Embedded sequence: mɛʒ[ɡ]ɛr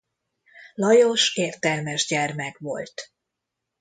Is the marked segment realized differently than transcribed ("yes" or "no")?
yes